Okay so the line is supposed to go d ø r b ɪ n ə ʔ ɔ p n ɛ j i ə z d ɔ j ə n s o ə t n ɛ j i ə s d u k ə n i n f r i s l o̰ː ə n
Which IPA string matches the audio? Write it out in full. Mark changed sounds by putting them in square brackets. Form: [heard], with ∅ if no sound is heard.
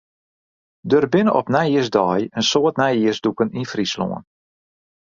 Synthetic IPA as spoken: d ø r b ɪ n ə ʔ ɔ p n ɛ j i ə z d ɔ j ə n s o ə t n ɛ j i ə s d u k ə n i n f r i s l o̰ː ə n